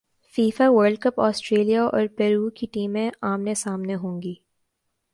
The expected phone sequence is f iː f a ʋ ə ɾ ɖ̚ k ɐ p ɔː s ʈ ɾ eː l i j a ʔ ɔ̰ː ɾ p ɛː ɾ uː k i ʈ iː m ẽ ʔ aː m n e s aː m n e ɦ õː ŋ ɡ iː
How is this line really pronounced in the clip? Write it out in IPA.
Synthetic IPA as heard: f iː f a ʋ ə ɾ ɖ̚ k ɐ p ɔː s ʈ ɾ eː l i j a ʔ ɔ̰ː ɾ p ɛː ɾ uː k i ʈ iː m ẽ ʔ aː m n e s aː m n e ɦ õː ŋ ɡ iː